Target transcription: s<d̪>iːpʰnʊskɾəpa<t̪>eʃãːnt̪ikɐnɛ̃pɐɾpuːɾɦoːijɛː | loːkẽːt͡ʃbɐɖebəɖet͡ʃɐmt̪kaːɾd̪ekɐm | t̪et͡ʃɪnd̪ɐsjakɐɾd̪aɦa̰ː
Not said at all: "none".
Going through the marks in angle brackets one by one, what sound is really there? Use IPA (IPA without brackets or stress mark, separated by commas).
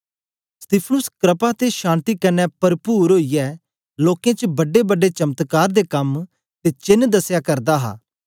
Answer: t̪, t̪